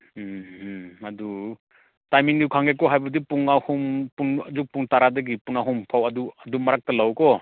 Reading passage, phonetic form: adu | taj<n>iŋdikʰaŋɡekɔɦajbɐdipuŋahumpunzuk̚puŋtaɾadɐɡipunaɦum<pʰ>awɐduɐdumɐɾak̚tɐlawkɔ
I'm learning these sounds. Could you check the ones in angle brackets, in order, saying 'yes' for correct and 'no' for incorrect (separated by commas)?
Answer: no, yes